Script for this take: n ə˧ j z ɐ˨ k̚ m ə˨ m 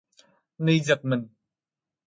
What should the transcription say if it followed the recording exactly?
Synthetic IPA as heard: n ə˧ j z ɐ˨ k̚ m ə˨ n